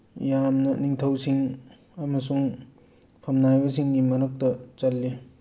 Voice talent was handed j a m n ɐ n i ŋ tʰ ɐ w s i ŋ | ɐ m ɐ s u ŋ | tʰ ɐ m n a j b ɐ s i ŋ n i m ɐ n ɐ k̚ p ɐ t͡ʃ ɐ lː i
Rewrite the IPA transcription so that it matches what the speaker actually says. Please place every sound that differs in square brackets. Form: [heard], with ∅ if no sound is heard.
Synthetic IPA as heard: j a m n ɐ n i ŋ tʰ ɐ w s i ŋ | ɐ m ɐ s u ŋ | [pʰ] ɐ m n a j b ɐ s i ŋ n i m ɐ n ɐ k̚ [t] ɐ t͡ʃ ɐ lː i

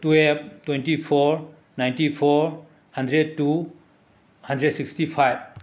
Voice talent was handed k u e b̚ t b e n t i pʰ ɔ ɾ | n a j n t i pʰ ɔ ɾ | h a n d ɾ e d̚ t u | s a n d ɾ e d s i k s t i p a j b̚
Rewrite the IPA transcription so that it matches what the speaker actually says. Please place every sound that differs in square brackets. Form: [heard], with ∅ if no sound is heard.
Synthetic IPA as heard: [t] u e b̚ t [w] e n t i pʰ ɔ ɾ | n a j n t i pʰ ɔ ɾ | h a n d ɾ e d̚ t u | [h] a n d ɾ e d s i k s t i [pʰ] a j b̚

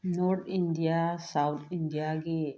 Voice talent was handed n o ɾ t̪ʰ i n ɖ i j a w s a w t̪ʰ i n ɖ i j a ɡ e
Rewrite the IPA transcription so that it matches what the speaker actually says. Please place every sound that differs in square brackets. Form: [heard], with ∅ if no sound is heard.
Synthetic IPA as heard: n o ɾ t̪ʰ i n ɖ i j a [∅] s a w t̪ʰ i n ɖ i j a ɡ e

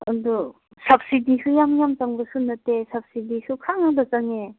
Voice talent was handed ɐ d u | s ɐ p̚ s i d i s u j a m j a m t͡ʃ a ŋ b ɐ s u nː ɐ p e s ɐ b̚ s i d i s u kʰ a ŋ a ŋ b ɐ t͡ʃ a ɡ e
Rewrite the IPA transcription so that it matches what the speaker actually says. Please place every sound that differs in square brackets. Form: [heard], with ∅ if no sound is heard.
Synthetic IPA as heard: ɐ d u | s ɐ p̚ s i d i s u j a m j a m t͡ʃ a ŋ b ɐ s u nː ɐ [t] e s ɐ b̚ s i d i s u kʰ a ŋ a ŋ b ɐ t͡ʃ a [ŋ] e

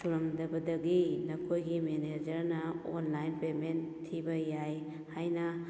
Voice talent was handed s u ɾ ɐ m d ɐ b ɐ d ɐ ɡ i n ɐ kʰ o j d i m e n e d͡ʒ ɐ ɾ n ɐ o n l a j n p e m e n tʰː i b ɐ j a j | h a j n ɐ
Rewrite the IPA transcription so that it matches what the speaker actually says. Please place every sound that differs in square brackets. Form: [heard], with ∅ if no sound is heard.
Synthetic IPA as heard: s u ɾ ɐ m d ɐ b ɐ d ɐ ɡ i n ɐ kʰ o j [ɡ] i m e n e d͡ʒ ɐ ɾ n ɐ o n l a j n p e m e n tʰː i b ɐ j a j | h a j n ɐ

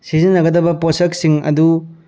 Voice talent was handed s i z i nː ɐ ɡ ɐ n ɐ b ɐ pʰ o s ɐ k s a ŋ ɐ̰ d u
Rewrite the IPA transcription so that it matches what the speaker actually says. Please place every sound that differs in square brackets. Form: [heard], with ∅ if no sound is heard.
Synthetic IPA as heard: s i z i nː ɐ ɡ ɐ [d] ɐ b ɐ [p] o s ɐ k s [i] ŋ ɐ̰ d u

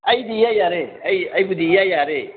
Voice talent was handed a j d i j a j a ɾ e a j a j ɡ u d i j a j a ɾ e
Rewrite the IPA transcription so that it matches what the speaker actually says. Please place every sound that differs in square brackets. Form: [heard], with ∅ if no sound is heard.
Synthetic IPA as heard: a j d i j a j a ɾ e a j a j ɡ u d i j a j a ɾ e

